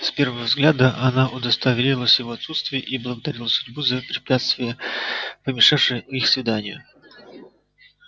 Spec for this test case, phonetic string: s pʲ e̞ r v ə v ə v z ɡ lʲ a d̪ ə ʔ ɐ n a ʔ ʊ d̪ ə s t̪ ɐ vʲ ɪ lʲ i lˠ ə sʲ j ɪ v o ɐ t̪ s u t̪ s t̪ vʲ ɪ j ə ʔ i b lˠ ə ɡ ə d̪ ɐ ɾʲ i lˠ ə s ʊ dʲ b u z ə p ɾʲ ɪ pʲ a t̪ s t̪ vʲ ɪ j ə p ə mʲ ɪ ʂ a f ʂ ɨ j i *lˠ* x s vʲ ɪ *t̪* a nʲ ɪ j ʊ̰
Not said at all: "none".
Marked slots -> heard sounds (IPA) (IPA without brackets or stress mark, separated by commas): none, d̪